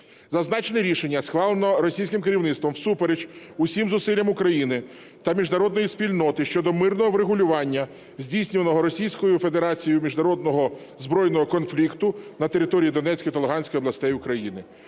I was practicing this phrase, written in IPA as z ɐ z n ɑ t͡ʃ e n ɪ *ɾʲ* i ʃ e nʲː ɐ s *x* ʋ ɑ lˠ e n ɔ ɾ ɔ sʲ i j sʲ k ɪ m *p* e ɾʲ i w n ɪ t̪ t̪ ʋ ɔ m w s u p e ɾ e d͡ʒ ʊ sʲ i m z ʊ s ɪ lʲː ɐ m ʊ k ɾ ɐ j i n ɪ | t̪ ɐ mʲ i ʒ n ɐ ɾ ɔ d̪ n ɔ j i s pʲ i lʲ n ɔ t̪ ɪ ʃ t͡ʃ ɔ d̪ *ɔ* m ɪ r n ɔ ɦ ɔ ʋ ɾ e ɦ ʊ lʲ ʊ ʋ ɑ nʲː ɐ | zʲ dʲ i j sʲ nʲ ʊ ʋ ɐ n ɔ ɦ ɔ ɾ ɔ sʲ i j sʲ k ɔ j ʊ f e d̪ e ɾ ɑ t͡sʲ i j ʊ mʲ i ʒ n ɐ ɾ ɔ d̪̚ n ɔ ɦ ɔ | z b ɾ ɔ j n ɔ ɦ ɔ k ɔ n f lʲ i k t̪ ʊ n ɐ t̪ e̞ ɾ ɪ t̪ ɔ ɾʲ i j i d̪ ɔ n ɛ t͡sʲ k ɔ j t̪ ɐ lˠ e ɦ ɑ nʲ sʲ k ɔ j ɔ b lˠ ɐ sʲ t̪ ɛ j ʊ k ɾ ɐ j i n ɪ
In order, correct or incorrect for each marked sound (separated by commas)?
correct, correct, incorrect, correct